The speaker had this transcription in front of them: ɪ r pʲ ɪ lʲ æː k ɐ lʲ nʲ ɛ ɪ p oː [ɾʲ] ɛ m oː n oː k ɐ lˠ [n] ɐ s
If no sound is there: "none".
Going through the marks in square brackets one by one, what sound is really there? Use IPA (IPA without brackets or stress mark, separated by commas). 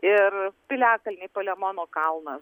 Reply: lʲ, n